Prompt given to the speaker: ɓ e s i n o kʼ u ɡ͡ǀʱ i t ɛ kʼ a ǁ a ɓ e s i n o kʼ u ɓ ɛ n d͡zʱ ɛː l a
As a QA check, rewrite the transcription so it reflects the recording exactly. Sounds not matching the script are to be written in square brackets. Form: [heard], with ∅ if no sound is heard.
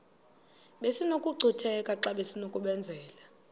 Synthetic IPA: ɓ e s i n o kʼ u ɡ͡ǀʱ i [tʰ] ɛ kʼ a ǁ a ɓ e s i n o kʼ u ɓ ɛ n d͡zʱ ɛː l a

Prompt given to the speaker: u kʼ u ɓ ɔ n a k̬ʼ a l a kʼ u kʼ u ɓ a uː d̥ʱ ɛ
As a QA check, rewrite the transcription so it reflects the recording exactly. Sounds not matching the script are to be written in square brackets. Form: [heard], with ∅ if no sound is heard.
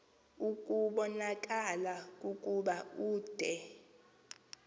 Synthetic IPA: u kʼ u ɓ ɔ n a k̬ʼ a l a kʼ u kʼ u ɓ a uː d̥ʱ ɛ

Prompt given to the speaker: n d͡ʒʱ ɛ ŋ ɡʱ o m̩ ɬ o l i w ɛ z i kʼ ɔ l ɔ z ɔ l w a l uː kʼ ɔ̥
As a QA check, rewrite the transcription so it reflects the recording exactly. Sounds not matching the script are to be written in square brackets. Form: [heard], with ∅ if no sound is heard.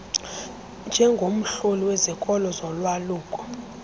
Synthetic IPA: n d͡ʒʱ ɛ ŋ ɡʱ o m̩ ɬ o l i w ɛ z i kʼ ɔ l ɔ z ɔ l w a l uː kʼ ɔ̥

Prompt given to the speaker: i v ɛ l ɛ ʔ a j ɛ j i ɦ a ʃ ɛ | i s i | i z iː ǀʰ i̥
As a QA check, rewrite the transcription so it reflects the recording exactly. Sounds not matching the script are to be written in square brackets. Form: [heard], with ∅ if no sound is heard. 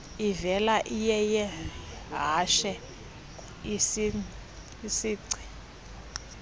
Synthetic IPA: i v ɛ l [a] ʔ [i] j ɛ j [ɛ] ɦ a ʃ ɛ | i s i | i [s] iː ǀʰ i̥

